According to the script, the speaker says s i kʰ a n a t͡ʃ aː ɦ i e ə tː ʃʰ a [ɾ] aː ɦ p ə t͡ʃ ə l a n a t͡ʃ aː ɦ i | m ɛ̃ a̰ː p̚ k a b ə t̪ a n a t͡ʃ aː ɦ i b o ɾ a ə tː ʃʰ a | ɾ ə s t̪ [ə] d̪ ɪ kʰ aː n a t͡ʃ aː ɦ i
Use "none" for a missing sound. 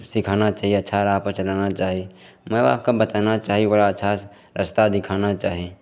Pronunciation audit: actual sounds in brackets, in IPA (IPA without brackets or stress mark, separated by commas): ɾ, a